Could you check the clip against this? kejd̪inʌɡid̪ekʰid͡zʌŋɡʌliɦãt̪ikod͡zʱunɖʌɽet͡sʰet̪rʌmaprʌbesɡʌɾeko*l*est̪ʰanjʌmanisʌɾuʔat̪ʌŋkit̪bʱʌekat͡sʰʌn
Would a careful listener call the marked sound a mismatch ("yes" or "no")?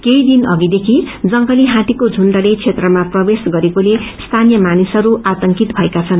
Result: no